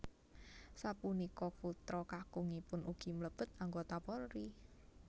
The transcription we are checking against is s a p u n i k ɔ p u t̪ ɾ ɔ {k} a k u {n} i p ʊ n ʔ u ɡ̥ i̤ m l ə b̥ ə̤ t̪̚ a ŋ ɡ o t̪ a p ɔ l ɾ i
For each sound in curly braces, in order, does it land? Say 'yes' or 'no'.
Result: yes, no

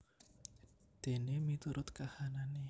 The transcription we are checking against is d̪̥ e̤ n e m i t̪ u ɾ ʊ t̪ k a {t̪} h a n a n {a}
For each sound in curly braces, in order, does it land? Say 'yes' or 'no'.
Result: no, no

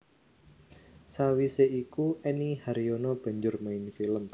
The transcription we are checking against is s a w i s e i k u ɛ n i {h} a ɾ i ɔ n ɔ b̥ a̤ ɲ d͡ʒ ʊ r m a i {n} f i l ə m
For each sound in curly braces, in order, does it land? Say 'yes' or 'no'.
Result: yes, yes

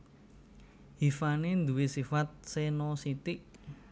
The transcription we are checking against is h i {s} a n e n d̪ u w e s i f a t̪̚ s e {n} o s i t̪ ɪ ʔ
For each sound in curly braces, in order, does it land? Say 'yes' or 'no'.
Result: no, yes

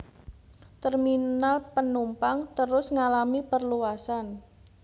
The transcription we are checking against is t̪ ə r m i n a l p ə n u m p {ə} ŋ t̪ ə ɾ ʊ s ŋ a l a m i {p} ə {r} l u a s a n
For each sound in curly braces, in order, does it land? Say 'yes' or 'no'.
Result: no, yes, yes

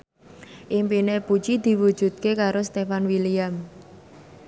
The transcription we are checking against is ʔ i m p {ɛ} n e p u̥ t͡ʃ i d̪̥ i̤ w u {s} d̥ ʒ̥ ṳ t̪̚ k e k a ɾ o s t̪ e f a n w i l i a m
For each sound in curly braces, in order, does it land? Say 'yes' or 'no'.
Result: no, no

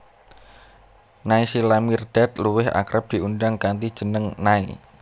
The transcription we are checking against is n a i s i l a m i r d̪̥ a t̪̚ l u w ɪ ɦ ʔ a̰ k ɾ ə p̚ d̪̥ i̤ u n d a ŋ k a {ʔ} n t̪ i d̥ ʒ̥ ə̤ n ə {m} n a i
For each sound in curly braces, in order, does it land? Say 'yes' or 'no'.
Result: no, no

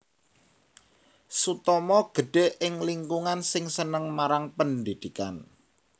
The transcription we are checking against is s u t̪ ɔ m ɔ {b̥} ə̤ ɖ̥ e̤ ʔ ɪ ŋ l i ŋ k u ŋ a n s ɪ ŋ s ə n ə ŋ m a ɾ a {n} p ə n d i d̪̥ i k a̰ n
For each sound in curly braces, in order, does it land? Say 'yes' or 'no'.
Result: no, no

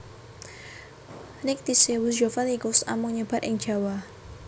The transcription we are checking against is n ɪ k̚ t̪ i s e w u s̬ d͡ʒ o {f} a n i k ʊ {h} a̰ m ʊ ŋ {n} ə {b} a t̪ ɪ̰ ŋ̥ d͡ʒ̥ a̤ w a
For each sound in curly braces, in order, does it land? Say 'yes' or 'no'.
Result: yes, no, no, yes

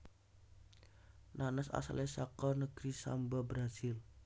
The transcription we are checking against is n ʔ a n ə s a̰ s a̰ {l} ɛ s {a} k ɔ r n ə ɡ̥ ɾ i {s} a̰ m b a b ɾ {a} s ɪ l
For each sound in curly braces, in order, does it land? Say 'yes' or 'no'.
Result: yes, yes, yes, yes

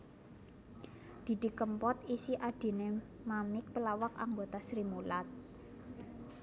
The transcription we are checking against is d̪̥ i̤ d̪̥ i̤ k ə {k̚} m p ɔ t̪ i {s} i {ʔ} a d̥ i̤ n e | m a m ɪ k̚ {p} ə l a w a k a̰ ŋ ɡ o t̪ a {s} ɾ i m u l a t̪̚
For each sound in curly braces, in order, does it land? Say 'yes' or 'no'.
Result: no, yes, yes, yes, yes

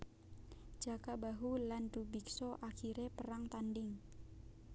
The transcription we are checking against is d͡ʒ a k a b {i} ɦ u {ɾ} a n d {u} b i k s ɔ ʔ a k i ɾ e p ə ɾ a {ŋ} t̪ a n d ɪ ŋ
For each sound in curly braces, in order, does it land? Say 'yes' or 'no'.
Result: no, no, yes, yes

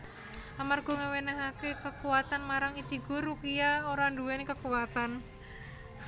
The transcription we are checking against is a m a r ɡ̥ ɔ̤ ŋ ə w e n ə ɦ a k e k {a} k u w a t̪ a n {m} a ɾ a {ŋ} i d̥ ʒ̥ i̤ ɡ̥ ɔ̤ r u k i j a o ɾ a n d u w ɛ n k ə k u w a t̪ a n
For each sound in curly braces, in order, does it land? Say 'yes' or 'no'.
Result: no, yes, yes

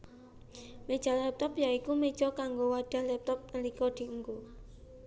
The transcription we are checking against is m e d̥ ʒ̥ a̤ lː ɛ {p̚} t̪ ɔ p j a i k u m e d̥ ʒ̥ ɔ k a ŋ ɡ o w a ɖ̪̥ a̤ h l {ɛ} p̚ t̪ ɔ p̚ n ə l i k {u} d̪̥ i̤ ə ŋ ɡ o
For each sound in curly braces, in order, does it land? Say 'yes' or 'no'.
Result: yes, yes, no

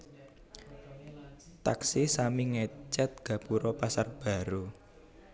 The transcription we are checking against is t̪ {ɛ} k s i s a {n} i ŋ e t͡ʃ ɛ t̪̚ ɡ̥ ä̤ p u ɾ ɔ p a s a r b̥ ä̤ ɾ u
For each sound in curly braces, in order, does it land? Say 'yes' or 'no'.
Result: no, no

